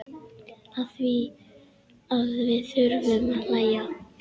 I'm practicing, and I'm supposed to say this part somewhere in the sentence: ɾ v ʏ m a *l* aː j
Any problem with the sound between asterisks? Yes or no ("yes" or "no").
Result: no